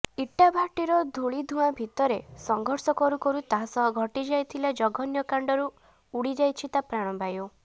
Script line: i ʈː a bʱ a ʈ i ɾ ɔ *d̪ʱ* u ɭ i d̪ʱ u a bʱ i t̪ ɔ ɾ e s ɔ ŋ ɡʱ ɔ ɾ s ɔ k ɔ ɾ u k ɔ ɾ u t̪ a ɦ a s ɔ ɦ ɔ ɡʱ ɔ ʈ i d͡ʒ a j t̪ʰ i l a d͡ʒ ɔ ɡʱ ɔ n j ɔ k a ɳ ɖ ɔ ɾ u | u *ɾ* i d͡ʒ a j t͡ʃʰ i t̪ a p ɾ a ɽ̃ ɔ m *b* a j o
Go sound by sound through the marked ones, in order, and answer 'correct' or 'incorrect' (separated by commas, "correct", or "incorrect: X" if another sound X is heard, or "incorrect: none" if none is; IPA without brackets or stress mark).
correct, incorrect: ɽ, correct